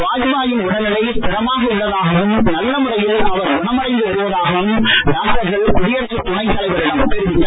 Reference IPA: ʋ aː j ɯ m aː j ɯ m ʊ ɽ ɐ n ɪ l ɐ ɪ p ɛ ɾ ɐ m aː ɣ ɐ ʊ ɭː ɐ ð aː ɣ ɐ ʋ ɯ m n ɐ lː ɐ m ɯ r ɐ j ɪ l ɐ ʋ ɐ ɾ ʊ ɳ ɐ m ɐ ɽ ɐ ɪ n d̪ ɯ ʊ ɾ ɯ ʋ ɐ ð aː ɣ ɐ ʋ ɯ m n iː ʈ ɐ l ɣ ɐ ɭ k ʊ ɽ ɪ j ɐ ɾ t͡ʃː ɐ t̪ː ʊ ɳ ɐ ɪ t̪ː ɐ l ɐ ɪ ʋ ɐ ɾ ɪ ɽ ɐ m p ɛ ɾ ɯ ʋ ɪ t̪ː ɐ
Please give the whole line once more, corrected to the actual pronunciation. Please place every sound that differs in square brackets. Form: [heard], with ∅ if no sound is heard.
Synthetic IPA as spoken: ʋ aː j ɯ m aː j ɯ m ʊ ɽ ɐ n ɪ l ɐ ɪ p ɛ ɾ ɐ m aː ɣ ɐ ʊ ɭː ɐ ð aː ɣ ɐ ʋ ɯ m n ɐ lː ɐ m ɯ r ɐ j ɪ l ɐ ʋ ɐ ɾ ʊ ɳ ɐ m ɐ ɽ ɐ ɪ n d̪ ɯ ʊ ɾ ɯ ʋ ɐ ð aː ɣ ɐ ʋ ɯ m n [aː] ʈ ɐ [ɾ] ɣ ɐ ɭ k ʊ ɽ ɪ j ɐ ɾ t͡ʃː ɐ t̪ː ʊ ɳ ɐ ɪ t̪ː ɐ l ɐ ɪ ʋ ɐ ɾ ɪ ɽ ɐ m p ɛ ɾ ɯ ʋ ɪ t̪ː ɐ